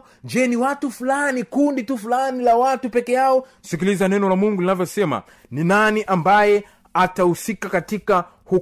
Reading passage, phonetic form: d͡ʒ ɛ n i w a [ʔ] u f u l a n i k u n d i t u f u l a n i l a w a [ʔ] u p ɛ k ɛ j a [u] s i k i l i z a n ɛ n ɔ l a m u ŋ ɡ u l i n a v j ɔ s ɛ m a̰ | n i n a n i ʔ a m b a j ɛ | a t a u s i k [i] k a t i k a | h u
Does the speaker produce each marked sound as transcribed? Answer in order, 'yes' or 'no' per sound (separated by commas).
no, no, no, no